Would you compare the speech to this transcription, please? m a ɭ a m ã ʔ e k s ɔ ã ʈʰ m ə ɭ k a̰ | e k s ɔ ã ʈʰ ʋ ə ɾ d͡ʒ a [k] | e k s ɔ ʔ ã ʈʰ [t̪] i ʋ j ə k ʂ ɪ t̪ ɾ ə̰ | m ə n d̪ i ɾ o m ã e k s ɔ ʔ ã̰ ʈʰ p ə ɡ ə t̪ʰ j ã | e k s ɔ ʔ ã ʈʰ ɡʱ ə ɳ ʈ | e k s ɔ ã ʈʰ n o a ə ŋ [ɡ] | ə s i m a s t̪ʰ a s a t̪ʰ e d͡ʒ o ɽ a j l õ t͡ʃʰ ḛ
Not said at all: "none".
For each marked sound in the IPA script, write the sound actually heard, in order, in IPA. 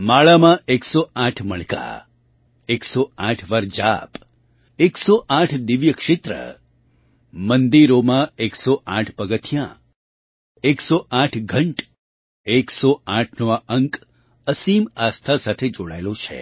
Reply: p, d̪, k

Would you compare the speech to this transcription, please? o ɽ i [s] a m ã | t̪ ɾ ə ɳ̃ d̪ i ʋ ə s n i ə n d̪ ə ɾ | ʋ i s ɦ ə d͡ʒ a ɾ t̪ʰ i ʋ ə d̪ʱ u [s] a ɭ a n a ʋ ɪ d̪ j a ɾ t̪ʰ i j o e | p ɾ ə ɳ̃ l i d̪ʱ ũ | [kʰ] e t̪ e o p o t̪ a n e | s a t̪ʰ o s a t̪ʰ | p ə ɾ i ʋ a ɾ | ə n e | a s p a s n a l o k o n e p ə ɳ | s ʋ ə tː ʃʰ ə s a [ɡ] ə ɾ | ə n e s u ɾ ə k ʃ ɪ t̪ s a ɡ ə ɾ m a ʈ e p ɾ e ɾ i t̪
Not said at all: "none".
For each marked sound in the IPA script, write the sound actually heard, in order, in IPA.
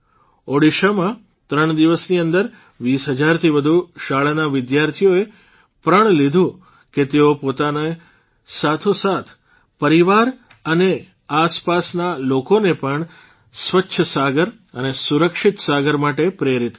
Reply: ʃ, ʃ, k, ɡ

